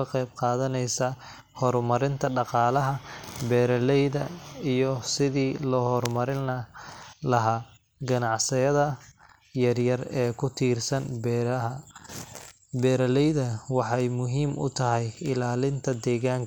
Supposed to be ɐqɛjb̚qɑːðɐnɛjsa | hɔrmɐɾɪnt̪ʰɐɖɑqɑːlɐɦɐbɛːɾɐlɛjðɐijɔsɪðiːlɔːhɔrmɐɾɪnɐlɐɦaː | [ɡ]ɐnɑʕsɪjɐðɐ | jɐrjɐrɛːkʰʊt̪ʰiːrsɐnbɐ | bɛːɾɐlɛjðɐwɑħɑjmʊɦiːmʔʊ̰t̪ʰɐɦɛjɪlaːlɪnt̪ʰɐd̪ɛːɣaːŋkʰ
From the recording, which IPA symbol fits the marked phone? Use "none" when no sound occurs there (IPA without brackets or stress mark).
ɡ